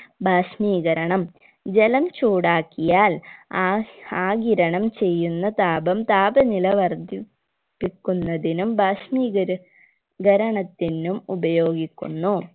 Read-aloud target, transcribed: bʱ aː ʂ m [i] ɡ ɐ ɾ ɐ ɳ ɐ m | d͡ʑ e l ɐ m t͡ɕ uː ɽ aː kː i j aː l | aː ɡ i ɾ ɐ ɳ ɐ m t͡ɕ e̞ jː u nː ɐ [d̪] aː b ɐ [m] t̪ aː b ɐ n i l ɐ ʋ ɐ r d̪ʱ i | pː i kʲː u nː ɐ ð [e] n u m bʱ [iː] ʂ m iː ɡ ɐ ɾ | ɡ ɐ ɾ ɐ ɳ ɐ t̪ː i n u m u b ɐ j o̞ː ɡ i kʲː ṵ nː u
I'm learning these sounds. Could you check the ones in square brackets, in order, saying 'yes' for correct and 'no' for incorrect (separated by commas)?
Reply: no, no, yes, no, no